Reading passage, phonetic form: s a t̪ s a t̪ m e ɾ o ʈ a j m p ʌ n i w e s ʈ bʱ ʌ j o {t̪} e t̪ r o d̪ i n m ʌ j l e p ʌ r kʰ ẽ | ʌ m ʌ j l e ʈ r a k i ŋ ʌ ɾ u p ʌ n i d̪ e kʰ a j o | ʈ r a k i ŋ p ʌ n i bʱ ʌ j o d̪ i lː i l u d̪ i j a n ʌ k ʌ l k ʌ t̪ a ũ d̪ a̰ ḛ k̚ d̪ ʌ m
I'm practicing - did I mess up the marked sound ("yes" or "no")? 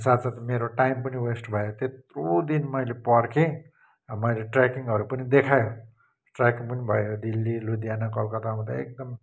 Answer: no